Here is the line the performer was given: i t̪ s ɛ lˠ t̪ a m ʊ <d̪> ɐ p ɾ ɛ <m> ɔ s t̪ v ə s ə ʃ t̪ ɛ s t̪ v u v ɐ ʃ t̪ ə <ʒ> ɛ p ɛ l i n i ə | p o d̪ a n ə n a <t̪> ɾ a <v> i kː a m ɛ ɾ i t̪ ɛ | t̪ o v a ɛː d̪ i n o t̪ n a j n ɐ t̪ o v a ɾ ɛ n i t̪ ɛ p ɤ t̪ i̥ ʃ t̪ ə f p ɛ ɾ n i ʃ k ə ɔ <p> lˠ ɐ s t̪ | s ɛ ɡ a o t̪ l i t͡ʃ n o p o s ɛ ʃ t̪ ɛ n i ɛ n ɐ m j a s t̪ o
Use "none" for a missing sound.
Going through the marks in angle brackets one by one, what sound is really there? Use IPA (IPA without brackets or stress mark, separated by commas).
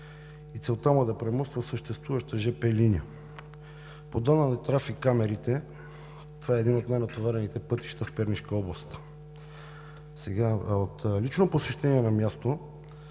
d̪, m, ʒ, t̪, f, b